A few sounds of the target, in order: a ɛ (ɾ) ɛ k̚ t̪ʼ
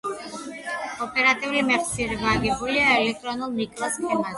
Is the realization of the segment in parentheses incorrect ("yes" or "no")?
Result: yes